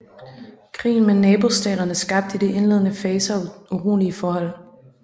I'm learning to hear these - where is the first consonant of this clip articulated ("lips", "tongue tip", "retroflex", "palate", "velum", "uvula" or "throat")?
velum